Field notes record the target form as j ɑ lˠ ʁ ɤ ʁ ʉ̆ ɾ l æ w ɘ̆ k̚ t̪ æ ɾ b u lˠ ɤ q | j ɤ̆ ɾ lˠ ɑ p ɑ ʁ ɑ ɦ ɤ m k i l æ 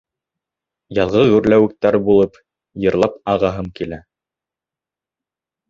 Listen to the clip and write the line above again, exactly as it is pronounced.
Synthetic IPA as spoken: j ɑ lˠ ʁ ɤ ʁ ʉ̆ ɾ l æ w ɘ̆ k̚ t̪ æ ɾ b u lˠ ɤ p | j ɤ̆ ɾ lˠ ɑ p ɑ ʁ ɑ ɦ ɤ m k i l æ